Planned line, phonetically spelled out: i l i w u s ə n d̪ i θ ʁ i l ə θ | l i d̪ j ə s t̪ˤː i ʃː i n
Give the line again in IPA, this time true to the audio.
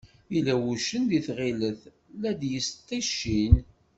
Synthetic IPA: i l æ w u ʃ ə n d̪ i θ ʁ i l ə θ | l æ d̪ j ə s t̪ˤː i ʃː i n